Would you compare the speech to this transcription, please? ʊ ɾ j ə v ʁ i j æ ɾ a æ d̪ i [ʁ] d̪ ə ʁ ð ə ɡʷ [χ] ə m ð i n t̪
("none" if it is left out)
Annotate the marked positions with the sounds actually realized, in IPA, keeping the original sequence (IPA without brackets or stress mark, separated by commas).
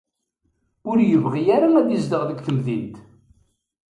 z, θ